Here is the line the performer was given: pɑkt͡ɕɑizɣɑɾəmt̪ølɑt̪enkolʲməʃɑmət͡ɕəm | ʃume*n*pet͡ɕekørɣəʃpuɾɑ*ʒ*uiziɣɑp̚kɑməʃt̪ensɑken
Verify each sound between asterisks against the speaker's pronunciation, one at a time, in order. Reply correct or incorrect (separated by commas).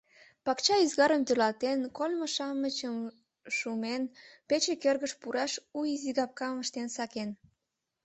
correct, incorrect